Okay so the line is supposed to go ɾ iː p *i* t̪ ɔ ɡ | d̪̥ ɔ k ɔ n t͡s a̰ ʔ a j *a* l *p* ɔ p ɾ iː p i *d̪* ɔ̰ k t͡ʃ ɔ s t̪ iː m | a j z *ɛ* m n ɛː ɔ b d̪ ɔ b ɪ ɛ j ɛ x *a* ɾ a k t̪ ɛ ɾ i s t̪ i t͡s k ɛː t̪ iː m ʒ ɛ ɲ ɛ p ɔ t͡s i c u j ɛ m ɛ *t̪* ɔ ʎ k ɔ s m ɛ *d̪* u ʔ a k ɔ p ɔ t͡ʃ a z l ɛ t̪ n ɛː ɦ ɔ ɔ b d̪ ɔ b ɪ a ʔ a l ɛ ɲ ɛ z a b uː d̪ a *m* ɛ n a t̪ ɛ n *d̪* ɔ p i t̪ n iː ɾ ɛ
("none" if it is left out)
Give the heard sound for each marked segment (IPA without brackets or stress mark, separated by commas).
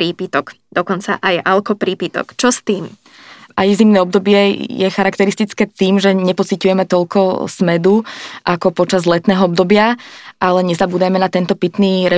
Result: i, a, k, t̪, i, a, t̪, d̪, m, t̪